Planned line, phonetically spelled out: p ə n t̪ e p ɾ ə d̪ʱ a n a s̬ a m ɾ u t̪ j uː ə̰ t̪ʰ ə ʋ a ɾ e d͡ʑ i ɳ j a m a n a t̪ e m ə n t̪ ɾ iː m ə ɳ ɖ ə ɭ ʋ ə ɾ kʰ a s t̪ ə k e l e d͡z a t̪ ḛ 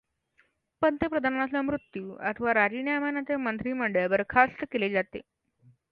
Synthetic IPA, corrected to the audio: p ə n t̪ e p ɾ ə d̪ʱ a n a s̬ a m ɾ u t̪ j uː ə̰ t̪ʰ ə ʋ a ɾ a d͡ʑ i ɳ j a m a n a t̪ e m ə n t̪ ɾ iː m ə ɳ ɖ ə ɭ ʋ ə ɾ kʰ a s t̪ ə k e l e d͡z a t̪ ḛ